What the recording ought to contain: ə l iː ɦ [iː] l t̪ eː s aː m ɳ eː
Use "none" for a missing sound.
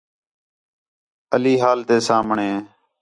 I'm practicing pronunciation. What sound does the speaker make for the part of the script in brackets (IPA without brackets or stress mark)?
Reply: aː